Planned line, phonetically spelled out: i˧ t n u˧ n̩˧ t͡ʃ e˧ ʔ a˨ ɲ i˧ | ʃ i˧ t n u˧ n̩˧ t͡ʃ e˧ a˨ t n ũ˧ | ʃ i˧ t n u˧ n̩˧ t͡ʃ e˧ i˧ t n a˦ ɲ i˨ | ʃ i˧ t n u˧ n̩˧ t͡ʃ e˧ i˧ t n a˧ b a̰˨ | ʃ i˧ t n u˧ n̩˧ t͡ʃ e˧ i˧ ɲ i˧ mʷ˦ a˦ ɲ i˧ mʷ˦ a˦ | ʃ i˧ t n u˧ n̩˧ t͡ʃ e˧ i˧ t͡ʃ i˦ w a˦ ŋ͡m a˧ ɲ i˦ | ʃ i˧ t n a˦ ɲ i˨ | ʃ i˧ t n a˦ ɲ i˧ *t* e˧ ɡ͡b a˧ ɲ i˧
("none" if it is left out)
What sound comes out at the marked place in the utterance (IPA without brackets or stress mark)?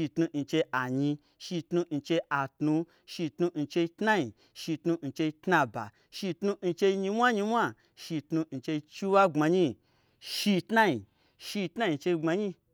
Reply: t͡ʃ